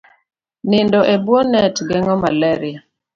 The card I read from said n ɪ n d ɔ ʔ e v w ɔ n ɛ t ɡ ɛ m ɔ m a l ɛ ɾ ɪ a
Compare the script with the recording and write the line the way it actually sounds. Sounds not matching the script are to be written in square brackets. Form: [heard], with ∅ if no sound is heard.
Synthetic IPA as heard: n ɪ n d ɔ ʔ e [b] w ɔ n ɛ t ɡ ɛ [ŋ] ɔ m a l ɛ ɾ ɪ a